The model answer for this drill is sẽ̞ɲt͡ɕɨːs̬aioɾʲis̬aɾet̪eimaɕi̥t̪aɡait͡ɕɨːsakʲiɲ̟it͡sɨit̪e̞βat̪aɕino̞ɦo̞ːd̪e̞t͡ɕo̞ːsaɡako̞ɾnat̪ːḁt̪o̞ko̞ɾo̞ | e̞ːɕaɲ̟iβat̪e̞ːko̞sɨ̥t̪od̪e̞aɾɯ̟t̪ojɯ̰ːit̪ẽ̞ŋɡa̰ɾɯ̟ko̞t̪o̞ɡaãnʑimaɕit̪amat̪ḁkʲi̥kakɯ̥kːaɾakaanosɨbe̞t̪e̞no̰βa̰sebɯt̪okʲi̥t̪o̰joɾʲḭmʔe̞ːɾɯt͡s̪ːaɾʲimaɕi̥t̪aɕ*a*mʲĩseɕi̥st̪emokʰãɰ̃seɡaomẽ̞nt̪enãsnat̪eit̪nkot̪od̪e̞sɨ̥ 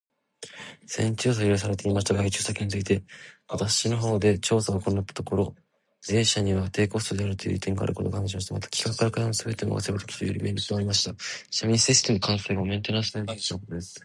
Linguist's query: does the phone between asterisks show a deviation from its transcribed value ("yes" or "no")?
no